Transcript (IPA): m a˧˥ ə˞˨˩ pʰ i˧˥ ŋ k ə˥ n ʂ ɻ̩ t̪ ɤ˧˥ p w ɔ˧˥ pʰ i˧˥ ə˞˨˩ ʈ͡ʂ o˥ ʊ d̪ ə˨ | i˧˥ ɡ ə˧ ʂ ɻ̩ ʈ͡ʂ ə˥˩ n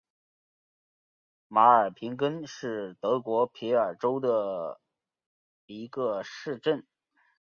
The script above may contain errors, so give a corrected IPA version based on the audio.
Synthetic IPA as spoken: m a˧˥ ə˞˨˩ pʰ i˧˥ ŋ k ə˥ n ʂ ɻ̩ t̪ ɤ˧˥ k w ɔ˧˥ pʰ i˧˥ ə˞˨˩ ʈ͡ʂ o˥ ʊ d̪ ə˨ | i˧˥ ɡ ə˧ ʂ ɻ̩ ʈ͡ʂ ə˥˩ n